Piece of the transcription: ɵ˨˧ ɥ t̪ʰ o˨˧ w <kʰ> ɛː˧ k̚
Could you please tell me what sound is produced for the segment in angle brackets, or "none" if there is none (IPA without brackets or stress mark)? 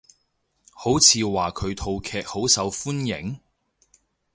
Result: kʰ